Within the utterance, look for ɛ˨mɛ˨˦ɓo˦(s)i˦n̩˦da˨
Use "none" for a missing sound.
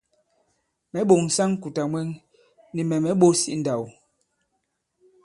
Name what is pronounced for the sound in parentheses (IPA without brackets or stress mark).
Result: s